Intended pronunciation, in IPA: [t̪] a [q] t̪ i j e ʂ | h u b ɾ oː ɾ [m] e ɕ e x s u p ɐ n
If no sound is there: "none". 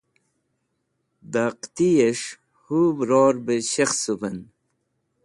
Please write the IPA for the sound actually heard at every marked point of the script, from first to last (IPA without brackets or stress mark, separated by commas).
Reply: d̪, q, b